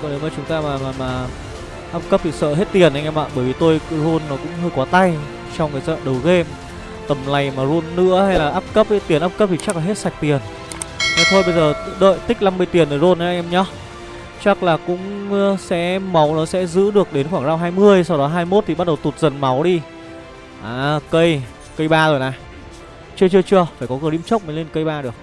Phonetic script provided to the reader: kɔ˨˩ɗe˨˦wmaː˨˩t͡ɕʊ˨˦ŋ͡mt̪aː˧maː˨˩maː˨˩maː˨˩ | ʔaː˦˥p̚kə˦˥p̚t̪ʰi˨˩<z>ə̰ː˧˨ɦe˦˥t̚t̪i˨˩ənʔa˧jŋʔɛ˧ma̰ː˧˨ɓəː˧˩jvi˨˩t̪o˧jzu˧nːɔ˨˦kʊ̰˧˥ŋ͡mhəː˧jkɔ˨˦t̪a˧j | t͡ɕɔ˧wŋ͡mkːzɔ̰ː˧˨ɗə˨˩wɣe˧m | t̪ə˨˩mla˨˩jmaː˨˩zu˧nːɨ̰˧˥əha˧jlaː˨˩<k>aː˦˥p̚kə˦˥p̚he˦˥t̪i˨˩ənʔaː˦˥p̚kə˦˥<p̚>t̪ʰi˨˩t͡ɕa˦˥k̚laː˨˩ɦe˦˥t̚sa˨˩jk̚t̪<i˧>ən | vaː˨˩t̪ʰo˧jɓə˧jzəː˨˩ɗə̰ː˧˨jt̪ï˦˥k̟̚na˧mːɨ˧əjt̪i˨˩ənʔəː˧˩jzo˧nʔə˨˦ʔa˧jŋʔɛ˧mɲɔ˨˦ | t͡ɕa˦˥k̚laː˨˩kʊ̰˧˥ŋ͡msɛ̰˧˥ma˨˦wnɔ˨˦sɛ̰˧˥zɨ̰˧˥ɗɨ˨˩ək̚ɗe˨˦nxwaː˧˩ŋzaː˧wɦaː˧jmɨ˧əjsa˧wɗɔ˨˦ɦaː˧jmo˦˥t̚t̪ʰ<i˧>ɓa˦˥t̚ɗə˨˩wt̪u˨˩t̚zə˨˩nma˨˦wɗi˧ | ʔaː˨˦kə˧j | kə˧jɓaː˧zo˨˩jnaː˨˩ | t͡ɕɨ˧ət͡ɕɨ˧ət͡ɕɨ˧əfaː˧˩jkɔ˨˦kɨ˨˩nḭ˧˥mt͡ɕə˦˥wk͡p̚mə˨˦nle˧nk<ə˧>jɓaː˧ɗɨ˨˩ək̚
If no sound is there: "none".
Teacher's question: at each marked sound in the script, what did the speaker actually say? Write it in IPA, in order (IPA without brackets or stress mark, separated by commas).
s, ʔ, p̚, i˨˩, i˨˩, ə˧